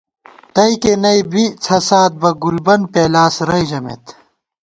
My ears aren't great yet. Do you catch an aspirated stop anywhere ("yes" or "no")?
yes